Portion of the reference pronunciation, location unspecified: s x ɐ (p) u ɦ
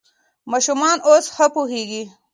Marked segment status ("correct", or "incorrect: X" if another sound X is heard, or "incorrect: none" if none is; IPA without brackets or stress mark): correct